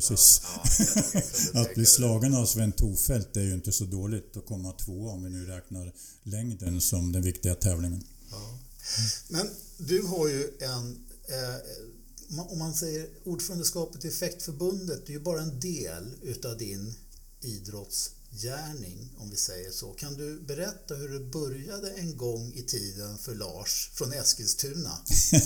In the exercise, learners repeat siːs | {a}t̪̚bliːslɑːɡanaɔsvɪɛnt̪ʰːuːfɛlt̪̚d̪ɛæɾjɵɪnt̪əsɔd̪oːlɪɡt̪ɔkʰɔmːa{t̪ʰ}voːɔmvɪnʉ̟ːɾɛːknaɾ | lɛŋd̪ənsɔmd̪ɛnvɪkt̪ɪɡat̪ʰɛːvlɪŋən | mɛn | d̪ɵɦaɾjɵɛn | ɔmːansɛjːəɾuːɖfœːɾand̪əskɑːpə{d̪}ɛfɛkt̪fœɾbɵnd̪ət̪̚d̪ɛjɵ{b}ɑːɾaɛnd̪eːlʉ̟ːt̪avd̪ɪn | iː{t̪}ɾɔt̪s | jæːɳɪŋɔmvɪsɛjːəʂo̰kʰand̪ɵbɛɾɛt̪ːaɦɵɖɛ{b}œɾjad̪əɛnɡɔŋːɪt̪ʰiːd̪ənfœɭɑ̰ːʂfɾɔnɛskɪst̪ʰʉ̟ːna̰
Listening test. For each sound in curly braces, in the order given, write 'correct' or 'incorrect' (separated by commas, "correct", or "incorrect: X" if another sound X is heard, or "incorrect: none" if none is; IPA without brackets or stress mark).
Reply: correct, correct, incorrect: t̪, correct, incorrect: d̪, correct